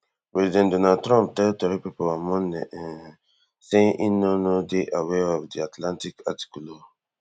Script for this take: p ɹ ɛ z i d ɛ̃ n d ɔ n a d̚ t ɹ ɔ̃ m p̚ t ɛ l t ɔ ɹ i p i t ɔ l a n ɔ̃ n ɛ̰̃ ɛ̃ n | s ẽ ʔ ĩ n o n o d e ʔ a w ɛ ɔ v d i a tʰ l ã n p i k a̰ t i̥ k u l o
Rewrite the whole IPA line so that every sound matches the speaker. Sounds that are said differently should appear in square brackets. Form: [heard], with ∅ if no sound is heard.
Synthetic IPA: p ɹ ɛ z i d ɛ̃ n d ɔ n a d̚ t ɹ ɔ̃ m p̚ t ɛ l t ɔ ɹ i p i [p] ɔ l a [m] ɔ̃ n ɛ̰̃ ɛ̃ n | s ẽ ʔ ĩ n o n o d e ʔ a w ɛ ɔ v d i a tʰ l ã n [t] i k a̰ t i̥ k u l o